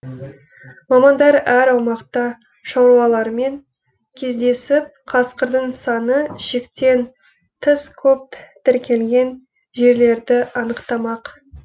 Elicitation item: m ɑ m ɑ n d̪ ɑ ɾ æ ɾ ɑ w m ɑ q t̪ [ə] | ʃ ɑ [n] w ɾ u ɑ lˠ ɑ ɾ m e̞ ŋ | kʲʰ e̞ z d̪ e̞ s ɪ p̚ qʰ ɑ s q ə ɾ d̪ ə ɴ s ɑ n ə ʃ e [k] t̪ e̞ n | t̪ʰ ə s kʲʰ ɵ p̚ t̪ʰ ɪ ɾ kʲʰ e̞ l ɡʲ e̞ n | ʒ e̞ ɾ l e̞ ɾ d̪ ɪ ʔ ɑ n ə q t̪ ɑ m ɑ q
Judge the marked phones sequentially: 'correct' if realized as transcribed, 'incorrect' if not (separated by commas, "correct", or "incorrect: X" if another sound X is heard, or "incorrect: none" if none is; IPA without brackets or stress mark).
incorrect: ɑ, incorrect: none, correct